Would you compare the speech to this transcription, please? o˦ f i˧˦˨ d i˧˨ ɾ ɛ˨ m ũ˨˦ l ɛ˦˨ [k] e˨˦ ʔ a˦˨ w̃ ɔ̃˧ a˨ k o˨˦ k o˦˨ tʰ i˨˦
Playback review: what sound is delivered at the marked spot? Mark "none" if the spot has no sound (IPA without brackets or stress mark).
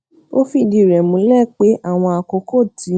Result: k͡p